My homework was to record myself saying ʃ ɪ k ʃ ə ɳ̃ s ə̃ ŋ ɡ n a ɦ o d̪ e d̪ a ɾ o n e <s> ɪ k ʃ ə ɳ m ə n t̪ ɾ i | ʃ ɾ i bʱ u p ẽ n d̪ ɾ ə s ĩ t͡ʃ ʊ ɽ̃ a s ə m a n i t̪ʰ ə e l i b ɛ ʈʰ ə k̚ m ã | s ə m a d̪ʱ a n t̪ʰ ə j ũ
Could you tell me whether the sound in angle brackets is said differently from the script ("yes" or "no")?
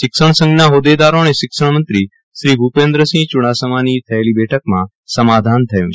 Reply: yes